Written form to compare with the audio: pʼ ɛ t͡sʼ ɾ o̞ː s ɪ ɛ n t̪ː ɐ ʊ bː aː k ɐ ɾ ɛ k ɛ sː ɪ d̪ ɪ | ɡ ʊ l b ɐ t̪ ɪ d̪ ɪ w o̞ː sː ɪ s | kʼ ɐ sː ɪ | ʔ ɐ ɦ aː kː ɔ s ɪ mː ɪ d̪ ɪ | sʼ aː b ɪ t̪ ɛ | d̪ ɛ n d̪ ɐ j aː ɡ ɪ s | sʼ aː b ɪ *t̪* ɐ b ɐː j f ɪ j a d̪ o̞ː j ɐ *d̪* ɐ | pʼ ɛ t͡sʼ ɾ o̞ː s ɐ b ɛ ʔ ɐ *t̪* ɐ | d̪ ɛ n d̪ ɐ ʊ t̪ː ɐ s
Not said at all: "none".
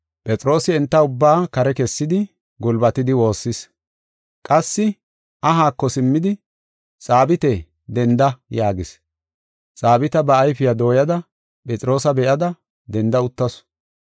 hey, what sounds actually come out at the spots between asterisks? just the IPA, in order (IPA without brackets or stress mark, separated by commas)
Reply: t̪, d̪, d̪